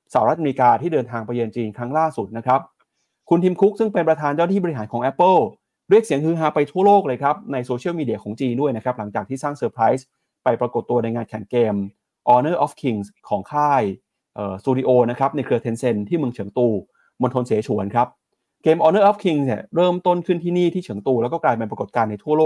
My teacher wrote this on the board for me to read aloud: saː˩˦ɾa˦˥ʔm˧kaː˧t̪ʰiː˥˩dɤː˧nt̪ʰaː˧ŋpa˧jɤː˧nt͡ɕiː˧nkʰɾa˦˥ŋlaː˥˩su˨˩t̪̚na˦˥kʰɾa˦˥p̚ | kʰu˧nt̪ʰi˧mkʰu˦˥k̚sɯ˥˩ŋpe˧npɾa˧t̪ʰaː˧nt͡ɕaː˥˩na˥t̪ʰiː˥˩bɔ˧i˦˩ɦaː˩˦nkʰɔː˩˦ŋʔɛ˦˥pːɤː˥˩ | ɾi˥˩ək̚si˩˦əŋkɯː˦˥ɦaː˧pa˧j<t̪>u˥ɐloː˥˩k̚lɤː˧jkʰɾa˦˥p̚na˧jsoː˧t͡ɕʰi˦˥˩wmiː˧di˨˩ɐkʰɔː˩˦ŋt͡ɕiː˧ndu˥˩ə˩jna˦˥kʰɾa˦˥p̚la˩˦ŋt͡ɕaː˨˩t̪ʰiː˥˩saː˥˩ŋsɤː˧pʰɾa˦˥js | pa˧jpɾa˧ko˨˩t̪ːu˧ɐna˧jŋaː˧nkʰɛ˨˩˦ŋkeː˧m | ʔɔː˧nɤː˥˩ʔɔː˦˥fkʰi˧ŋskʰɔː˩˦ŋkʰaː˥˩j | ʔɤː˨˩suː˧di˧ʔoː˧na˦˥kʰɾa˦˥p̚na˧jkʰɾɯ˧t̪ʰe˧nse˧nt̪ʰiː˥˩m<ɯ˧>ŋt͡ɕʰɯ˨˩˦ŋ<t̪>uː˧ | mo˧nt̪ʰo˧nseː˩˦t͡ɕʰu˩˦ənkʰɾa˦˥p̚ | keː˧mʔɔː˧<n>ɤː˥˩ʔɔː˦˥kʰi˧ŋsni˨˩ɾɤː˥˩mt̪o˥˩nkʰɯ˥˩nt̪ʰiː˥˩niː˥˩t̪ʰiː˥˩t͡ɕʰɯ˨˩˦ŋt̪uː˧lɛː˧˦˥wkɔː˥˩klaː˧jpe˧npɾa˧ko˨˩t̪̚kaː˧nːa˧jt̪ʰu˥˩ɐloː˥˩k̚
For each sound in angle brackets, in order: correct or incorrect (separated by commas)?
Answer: incorrect, correct, correct, correct